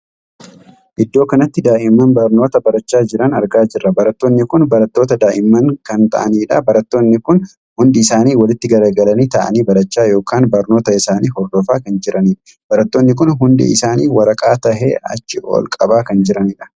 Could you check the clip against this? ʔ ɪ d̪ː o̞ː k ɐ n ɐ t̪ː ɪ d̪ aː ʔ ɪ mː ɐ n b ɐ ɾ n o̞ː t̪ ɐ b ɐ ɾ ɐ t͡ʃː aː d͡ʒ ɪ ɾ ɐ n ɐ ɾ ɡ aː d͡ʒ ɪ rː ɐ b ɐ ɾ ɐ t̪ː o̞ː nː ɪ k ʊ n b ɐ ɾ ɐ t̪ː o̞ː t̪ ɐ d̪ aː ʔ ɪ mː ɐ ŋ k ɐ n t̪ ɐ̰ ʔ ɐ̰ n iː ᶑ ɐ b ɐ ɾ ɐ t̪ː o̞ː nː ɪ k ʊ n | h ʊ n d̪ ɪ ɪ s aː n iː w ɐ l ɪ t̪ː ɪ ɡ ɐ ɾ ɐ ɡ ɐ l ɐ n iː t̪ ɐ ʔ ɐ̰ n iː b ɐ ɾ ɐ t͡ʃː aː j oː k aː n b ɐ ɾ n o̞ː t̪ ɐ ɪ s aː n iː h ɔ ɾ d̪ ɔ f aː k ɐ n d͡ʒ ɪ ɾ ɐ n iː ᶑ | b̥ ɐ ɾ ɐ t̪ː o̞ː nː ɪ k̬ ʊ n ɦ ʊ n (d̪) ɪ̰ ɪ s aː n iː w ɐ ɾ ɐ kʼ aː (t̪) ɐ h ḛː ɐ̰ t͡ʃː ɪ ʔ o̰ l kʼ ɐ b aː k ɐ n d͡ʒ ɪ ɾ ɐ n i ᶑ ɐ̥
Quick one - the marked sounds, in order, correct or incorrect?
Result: correct, correct

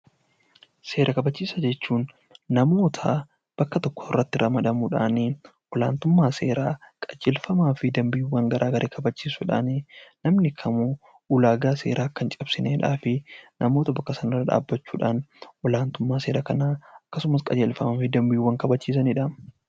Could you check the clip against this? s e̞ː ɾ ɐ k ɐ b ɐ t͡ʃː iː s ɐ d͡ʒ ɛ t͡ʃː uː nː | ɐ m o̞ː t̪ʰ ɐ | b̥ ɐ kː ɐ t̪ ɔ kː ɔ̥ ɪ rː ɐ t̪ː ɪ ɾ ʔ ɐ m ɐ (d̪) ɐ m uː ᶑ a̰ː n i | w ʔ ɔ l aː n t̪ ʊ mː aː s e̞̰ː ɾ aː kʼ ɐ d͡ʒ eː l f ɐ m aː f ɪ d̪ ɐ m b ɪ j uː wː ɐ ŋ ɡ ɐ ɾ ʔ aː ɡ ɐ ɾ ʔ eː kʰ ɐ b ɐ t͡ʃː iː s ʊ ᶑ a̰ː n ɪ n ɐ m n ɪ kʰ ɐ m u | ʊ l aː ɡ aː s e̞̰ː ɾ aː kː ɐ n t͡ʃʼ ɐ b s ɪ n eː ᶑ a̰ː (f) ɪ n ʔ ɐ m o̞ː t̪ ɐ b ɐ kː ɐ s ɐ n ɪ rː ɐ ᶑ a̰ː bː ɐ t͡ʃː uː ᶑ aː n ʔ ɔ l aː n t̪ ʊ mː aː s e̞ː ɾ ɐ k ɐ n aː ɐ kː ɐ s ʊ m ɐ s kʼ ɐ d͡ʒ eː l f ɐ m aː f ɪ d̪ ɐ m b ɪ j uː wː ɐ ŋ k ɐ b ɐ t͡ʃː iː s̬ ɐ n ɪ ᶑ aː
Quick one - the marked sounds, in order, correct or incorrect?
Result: correct, correct

